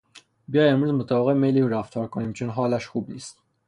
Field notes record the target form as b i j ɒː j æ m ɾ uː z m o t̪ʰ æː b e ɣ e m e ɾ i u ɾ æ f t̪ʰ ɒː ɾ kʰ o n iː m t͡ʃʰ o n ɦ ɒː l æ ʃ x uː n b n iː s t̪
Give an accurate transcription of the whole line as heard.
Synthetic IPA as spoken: b i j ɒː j e m ɾ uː z m o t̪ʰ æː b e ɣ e m e l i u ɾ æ f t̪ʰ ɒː ɾ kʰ o n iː m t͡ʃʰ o n ɦ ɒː l æ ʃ x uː b n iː s t̪